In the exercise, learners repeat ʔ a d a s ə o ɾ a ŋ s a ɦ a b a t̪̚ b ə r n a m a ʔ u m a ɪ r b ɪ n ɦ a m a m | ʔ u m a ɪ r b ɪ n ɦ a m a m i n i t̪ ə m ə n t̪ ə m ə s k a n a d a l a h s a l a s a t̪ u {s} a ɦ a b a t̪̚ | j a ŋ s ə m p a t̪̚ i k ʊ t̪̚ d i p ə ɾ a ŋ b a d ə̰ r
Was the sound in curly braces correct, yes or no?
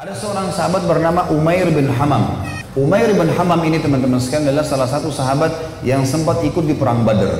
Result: yes